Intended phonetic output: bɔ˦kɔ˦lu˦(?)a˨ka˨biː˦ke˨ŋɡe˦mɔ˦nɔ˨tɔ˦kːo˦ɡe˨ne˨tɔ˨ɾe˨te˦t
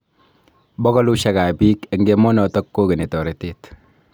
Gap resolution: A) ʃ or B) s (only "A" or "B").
A